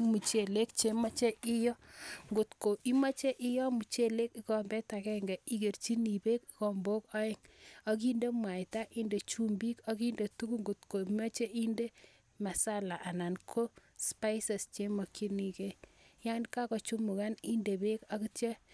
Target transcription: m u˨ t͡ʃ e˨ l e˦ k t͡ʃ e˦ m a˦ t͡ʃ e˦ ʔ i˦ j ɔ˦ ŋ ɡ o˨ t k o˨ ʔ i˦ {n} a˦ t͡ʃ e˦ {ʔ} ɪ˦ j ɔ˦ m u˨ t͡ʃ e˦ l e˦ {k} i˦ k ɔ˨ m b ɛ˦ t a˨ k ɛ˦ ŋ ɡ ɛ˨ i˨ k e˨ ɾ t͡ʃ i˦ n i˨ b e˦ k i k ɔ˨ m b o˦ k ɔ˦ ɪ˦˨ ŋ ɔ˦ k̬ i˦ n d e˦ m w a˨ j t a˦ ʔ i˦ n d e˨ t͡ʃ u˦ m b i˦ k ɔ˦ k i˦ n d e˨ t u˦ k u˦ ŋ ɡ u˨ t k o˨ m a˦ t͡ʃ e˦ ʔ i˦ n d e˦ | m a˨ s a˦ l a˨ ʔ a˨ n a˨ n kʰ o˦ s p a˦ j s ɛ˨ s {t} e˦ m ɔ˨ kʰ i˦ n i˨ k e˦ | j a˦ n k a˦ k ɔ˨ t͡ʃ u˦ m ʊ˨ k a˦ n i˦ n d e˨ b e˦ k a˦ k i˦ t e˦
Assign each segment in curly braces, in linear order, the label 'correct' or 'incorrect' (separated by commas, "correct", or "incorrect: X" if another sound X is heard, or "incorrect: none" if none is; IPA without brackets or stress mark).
incorrect: m, correct, correct, incorrect: t͡ʃ